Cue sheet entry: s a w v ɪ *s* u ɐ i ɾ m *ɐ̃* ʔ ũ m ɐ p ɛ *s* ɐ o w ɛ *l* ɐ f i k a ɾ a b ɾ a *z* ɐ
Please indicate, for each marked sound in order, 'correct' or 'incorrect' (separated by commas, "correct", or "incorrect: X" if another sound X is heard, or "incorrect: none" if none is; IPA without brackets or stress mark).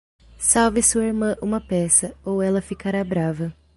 correct, correct, correct, correct, incorrect: v